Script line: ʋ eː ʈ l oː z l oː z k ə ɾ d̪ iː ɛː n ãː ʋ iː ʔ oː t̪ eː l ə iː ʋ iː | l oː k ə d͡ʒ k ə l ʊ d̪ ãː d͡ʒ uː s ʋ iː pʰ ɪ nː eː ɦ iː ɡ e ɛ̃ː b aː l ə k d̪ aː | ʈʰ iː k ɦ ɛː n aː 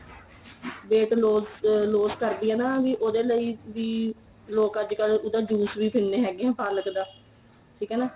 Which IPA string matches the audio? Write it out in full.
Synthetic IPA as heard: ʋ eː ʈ l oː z l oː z k ə ɾ d̪ iː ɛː n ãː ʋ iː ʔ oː d̪ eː l ə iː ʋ iː | l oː k ə d͡ʒ k ə l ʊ d̪ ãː d͡ʒ uː s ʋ iː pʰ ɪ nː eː ɦ ɛː ɡ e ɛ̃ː p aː l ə k d̪ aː | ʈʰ iː k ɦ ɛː n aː